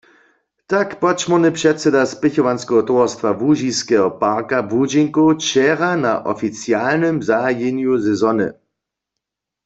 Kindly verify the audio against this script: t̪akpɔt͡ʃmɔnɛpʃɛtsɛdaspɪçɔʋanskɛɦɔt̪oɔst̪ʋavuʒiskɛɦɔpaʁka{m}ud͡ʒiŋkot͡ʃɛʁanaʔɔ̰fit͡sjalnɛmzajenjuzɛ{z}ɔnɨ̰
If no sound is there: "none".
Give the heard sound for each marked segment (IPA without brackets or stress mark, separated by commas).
b, z